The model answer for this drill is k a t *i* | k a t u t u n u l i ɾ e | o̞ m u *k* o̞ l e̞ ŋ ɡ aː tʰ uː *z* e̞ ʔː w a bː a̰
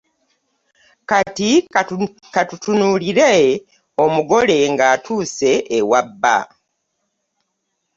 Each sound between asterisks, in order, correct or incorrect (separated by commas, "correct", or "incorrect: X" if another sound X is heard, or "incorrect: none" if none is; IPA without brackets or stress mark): correct, incorrect: ɡ, incorrect: s